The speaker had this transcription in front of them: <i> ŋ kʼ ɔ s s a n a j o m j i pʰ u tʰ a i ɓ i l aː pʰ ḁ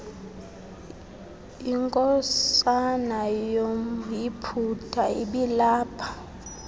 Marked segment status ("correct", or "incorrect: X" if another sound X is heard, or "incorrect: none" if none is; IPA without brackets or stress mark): correct